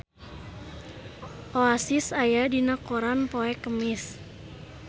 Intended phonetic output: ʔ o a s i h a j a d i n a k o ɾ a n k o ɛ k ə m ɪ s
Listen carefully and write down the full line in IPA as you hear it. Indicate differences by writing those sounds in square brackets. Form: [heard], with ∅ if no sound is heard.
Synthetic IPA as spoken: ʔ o a s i [s] a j a d i n a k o ɾ a n [p] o ɛ k ə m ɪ s